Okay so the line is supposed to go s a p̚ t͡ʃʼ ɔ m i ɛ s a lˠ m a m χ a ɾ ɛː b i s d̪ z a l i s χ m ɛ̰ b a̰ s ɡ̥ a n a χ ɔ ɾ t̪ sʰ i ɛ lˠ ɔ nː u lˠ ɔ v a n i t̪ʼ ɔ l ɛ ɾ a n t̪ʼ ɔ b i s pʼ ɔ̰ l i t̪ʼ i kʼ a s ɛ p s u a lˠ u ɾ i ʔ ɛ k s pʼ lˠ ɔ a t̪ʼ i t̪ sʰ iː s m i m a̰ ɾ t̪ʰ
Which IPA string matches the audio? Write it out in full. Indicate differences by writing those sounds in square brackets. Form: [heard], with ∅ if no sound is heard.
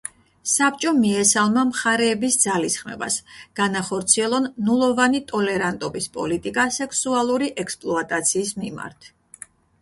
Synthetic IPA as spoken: s a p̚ t͡ʃʼ ɔ m i ɛ s a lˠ m a m χ a ɾ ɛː b i s d̪ z a l i s χ m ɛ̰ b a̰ s ɡ̥ a n a χ ɔ ɾ t̪ sʰ i ɛ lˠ ɔ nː u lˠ ɔ v a n i t̪ʼ ɔ l ɛ ɾ a n t̪ʼ ɔ b i s pʼ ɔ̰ l i t̪ʼ i kʼ a s ɛ [k] s u a lˠ u ɾ i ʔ ɛ k s pʼ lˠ ɔ a t̪ʼ [a] t̪ sʰ iː s m i m a̰ ɾ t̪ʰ